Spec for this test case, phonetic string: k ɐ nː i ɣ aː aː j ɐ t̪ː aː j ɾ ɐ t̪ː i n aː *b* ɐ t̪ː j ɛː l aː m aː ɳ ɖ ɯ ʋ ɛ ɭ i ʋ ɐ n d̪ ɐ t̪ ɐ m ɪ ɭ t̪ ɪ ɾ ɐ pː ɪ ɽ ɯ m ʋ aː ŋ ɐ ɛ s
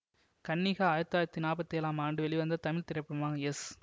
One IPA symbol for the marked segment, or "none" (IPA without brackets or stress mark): p